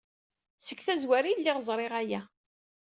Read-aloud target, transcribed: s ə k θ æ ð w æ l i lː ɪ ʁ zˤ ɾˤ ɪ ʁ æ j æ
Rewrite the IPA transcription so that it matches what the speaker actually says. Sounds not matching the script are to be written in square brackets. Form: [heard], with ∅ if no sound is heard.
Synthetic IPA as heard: s ə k θ æ [z] w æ [ɾ] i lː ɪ ʁ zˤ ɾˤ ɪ ʁ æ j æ